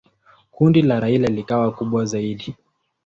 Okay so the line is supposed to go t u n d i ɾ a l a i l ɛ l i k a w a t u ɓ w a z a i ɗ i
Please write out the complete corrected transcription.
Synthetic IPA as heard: k u n d i l a ɾ a i l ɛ l i k a w a k u ɓ w a z a i ɗ i